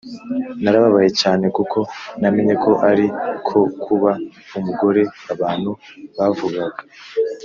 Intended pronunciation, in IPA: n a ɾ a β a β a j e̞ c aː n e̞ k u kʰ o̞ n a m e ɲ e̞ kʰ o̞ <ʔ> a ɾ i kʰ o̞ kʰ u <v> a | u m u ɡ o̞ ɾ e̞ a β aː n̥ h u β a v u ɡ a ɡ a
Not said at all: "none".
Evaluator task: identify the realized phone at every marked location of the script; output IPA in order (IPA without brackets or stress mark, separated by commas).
ʔ, β